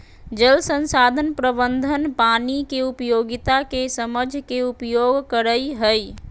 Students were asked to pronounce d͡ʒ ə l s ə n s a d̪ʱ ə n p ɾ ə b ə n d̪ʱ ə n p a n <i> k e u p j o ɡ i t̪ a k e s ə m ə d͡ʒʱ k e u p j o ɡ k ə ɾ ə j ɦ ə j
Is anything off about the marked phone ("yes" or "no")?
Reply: no